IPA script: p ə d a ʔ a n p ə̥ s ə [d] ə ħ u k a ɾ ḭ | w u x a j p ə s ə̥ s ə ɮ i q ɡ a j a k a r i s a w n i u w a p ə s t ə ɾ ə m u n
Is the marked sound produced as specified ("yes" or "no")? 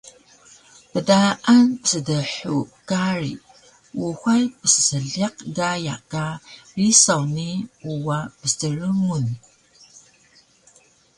yes